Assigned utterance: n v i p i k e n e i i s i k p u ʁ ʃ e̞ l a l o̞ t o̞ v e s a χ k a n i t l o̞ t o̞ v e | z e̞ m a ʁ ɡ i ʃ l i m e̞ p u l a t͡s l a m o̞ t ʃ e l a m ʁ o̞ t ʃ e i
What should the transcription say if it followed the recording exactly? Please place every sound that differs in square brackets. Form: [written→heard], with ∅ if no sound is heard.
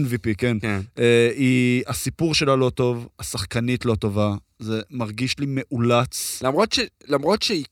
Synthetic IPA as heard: n v i p i k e n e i [i→a] s i [k→∅] p u ʁ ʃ e̞ l a l o̞ t o̞ v [e→a] s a χ k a n i t l o̞ t o̞ v [e→a] | z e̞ m a ʁ ɡ i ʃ l i m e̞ [p→ʔ] u l a t͡s l a m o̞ t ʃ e l a m ʁ o̞ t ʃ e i